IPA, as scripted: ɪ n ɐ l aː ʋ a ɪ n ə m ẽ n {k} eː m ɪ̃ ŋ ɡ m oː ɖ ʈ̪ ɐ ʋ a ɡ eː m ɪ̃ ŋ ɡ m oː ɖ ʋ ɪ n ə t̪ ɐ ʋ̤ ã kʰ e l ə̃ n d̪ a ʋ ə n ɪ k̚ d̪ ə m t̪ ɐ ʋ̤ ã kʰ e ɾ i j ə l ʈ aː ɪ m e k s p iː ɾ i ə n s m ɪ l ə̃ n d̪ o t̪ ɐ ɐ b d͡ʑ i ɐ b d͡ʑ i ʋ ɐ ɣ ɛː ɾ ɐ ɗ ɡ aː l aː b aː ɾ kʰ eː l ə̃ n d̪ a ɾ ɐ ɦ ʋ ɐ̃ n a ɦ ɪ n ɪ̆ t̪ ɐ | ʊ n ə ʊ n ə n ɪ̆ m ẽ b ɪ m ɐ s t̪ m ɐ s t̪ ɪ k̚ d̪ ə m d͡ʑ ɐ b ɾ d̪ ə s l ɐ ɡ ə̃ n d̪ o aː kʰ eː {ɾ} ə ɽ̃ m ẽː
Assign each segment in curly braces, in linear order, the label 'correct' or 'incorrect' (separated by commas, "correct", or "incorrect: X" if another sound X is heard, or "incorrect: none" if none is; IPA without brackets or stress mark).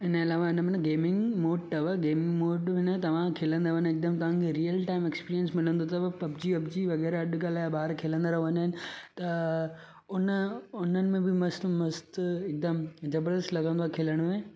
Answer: incorrect: ɡ, incorrect: l